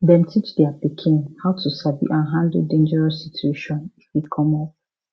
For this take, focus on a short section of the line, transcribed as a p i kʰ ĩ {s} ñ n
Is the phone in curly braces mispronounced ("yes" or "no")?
yes